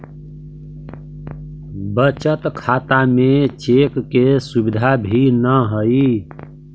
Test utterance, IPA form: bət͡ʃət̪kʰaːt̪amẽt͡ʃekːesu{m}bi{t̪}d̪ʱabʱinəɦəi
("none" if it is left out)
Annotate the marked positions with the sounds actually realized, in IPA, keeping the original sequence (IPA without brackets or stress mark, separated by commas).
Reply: none, none